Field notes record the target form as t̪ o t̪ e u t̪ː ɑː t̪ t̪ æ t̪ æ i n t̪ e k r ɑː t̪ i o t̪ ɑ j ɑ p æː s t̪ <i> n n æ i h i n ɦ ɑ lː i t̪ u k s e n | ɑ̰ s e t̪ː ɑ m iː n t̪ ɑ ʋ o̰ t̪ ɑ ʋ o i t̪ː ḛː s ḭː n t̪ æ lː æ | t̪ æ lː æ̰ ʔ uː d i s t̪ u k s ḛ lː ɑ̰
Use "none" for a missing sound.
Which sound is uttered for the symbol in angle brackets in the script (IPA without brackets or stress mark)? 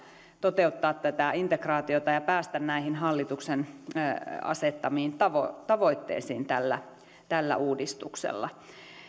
æ